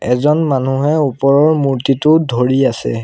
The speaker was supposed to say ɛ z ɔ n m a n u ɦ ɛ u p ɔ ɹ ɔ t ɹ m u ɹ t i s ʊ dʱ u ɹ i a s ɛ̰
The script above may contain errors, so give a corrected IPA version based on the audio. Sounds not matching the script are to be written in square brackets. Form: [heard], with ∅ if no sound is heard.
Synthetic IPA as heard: ɛ z ɔ n m a n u ɦ ɛ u p ɔ ɹ ɔ [∅] ɹ m u ɹ t i [t] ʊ dʱ [o] ɹ i a s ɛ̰